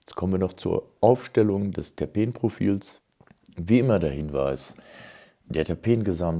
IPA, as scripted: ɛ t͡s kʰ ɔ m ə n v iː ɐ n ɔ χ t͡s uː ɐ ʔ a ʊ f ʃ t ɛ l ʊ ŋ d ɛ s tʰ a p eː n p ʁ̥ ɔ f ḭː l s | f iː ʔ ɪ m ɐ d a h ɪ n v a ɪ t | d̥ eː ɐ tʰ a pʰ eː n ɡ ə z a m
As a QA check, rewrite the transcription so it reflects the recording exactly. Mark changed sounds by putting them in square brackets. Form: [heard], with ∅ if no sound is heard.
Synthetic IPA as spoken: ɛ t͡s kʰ ɔ m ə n v iː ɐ n ɔ χ t͡s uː ɐ ʔ a ʊ f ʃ t ɛ l ʊ ŋ d ɛ s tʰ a p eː n p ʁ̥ [o] f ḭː l s | [v] iː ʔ ɪ m ɐ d a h ɪ n v a ɪ [s] | d̥ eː ɐ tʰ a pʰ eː n ɡ ə z a m